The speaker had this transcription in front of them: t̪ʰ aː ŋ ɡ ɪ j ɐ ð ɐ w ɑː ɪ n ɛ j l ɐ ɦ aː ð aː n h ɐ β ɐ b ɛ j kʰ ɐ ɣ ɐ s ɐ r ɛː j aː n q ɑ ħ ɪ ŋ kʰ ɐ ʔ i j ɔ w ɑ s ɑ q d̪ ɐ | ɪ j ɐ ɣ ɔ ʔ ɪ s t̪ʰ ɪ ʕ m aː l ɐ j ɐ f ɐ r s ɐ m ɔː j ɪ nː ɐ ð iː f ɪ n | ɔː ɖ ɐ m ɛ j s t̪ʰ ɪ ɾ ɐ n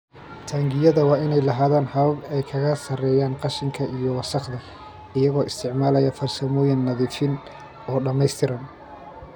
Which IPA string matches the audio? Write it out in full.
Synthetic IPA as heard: t̪ʰ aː ŋ ɡ ɪ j ɐ ð ɐ w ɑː ɪ n ɛ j l ɐ ɦ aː ð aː n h ɐ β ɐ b ɛ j kʰ ɐ ɣ ɐ s ɐ r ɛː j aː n q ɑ ʃ ɪ ŋ kʰ ɐ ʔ i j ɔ w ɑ s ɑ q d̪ ɐ | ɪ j ɐ ɣ ɔː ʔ ɪ s t̪ʰ ɪ ʕ m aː l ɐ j ɐ f ɐ r s ɐ m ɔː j ɪ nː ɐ ð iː f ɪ n | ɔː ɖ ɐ m ɛ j s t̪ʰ ɪ ɾ ɐ n

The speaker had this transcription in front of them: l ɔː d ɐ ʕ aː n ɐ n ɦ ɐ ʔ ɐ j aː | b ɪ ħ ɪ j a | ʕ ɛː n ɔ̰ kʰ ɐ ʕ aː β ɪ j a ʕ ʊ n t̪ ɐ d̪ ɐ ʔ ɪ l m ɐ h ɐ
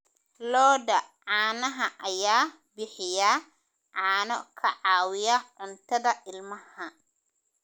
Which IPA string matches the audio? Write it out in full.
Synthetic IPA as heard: l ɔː d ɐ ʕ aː n ɐ ɦ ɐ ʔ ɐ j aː | b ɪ ħ ɪ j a | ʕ aː n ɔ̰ kʰ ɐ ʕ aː w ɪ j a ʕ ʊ n t̪ ɐ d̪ ɐ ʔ ɪ l m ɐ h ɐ

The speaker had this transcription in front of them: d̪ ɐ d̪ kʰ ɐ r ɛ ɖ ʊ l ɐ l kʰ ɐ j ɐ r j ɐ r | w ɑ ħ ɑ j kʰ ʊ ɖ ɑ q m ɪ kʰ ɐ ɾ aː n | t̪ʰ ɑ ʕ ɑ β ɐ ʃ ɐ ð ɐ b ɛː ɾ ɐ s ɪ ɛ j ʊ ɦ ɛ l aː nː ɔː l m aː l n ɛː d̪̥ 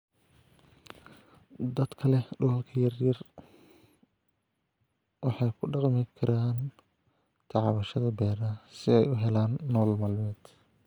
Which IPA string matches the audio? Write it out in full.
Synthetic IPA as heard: d̪ ɐ d̪ kʰ ɐ l ɛ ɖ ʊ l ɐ l kʰ ɐ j ɐ r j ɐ r | w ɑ ħ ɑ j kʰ ʊ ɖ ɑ q m ɪ kʰ ɐ ɾ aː n | t̪ʰ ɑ ʕ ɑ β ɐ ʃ ɐ ð ɐ b ɛː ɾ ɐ s ɪ ɛ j ʊ ɦ ɛ l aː nː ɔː l m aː l m ɛː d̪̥

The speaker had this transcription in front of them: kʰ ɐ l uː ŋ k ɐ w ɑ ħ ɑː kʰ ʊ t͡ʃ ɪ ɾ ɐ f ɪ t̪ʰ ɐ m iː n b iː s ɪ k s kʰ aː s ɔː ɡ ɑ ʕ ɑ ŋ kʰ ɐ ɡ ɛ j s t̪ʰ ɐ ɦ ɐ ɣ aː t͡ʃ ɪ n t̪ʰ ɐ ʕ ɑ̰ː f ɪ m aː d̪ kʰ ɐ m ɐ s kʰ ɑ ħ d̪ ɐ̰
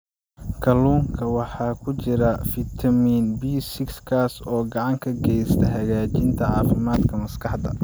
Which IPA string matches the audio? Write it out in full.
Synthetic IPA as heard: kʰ ɐ l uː ŋ kʰ ɐ w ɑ ħ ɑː kʰ ʊ t͡ʃ ɪ ɾ ɐ f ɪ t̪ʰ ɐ m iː n b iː s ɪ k s kʰ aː s ɔː ɡ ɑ ʕ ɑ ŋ kʰ ɐ ɡ ɛ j s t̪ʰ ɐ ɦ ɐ ɣ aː t͡ʃ ɪ n t̪ʰ ɐ ʕ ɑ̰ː f ɪ m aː d̪ kʰ ɐ m ɐ s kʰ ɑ ħ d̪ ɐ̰

